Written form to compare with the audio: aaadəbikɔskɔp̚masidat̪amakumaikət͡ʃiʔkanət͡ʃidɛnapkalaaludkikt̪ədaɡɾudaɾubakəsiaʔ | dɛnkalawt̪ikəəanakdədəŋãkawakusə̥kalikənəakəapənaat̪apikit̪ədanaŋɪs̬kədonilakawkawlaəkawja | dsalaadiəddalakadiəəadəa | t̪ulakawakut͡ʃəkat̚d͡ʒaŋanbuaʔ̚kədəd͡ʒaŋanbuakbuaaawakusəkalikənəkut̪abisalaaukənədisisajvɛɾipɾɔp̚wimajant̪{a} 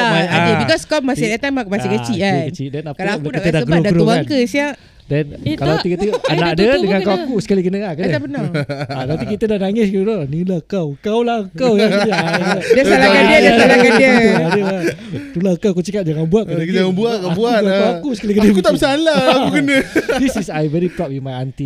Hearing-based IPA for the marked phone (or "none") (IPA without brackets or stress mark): i